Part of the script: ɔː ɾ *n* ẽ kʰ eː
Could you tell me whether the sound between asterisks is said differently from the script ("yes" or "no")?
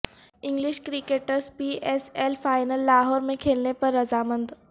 yes